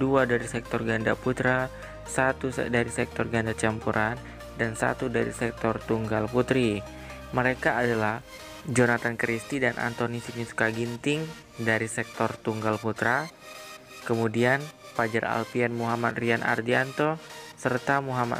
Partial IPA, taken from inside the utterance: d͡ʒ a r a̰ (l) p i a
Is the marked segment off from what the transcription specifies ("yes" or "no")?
no